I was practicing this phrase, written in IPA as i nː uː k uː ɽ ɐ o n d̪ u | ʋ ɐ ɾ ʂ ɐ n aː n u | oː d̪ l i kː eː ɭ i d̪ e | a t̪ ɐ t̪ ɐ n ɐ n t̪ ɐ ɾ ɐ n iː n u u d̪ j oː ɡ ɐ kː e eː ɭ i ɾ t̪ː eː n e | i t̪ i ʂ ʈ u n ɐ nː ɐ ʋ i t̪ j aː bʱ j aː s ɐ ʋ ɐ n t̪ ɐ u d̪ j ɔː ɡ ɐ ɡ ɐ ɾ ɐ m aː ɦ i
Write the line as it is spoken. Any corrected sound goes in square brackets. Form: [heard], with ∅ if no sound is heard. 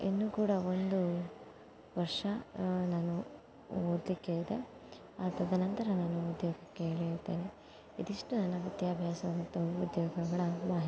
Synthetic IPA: i nː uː k uː ɽ ɐ o n d̪ u | ʋ ɐ ɾ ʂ ɐ n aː n u | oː d̪ l i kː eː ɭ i d̪ e | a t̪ ɐ [d̪] ɐ n ɐ n t̪ ɐ ɾ ɐ n [aː] n u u d̪ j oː ɡ ɐ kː e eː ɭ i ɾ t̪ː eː n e | i [d̪] i ʂ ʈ u n ɐ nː ɐ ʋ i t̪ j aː bʱ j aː s ɐ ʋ ɐ n t̪ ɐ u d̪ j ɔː ɡ ɐ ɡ ɐ [ɭ] ɐ m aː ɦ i